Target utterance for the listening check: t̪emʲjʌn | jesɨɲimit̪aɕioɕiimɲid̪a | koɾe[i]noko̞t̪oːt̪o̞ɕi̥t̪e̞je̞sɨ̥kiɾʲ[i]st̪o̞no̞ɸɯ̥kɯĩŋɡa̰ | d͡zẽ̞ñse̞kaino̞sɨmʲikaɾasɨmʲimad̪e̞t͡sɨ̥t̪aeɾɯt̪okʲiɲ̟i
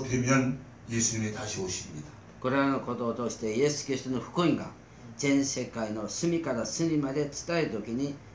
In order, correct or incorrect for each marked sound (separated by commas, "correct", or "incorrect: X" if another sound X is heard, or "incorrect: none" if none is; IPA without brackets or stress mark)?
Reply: incorrect: a, correct